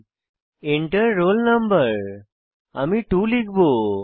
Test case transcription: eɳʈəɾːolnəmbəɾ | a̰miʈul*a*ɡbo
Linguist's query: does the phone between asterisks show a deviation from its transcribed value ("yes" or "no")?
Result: yes